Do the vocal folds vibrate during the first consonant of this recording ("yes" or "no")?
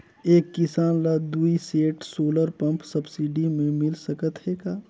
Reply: no